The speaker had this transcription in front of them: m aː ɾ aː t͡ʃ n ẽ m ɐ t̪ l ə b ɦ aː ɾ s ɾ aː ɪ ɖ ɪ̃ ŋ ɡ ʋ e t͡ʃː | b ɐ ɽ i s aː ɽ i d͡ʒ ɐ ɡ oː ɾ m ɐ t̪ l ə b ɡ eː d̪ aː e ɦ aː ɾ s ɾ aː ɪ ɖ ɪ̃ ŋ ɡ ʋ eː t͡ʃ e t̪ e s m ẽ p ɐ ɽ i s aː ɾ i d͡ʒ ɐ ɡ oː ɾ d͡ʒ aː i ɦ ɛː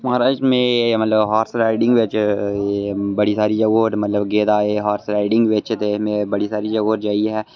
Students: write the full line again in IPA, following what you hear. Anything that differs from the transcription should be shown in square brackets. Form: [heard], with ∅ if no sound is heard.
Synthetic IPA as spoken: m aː ɾ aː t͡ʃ [m] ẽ m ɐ t̪ l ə b ɦ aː ɾ s ɾ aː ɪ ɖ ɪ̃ ŋ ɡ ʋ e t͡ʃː | b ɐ ɽ i s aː [ɾ] i d͡ʒ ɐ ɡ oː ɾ m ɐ t̪ l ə b ɡ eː d̪ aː e ɦ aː ɾ s ɾ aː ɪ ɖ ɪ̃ ŋ ɡ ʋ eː t͡ʃ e t̪ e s m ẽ [b] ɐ ɽ i s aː ɾ i d͡ʒ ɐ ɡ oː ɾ d͡ʒ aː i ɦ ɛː